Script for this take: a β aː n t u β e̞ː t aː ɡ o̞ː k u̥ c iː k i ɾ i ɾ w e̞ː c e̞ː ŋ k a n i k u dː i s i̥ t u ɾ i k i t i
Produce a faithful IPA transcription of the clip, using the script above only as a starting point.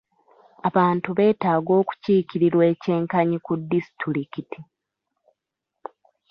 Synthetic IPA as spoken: a β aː n t u β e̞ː t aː ɡ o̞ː k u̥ c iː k i ɾ i ɾ w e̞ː c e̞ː ŋ k a ɲ i k u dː i s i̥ t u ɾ i k i t i